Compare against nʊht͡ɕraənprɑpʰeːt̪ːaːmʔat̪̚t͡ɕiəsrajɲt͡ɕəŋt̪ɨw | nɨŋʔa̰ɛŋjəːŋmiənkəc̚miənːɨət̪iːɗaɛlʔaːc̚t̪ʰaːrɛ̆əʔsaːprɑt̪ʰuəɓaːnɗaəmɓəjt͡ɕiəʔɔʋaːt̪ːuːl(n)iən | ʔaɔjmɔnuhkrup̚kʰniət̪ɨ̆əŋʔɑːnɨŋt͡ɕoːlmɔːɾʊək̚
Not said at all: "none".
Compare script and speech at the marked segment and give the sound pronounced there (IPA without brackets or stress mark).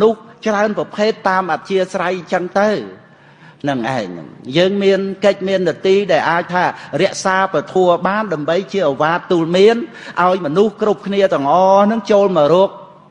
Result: m